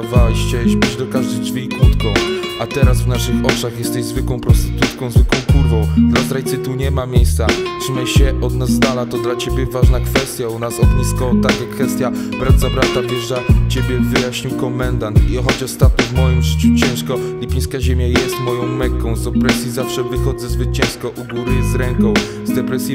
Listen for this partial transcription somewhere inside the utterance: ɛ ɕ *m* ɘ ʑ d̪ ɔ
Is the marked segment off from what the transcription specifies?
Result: yes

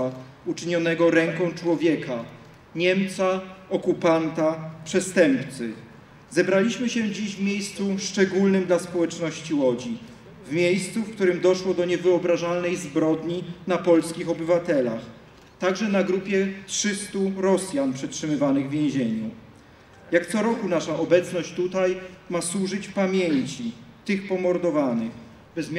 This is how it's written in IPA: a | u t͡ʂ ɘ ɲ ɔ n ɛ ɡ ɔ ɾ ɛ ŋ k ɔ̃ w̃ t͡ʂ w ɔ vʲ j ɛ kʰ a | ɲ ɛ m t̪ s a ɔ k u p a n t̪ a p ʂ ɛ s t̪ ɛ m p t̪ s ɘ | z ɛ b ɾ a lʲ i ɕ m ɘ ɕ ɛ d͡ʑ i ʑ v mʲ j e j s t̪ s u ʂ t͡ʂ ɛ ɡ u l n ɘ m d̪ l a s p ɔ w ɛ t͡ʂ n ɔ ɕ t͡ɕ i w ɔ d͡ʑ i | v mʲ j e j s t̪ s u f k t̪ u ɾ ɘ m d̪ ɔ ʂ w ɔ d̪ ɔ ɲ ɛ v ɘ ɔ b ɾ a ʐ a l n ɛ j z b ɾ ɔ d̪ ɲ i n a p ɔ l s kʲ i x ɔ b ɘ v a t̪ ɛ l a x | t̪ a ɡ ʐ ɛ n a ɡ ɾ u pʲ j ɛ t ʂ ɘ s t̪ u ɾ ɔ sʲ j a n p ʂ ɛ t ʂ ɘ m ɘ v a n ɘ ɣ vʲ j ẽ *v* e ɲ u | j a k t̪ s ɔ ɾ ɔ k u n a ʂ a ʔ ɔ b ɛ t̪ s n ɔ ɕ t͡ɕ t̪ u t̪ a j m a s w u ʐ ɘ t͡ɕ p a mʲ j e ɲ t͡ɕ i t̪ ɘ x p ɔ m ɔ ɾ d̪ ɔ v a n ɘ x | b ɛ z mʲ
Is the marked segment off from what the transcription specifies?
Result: yes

